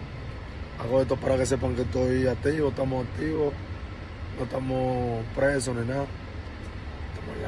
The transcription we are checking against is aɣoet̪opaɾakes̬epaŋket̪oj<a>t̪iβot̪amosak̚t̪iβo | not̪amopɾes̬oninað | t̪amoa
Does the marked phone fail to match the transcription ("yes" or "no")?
no